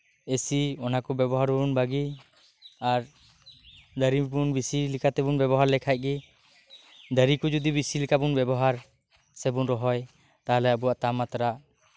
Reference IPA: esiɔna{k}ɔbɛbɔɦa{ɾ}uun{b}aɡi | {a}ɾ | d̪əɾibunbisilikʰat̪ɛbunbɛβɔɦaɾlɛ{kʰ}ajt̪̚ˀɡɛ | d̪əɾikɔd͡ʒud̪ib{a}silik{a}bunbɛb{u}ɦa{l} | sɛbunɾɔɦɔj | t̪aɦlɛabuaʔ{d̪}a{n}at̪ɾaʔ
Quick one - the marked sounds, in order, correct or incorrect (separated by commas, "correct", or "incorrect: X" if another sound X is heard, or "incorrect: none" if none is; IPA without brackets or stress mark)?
correct, correct, correct, correct, correct, incorrect: i, correct, incorrect: ɔ, incorrect: ɾ, incorrect: t̪, incorrect: m